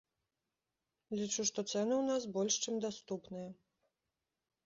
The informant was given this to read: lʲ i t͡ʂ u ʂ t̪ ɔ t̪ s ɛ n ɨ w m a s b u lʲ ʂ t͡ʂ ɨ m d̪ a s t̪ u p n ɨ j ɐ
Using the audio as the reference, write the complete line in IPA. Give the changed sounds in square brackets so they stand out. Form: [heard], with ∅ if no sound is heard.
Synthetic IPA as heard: lʲ i t͡ʂ u ʂ t̪ ɔ t̪ s ɛ n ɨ w [n] a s b [ɔ] lʲ ʂ t͡ʂ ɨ m d̪ a s t̪ u p n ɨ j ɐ